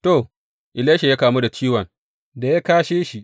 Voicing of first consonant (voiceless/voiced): voiceless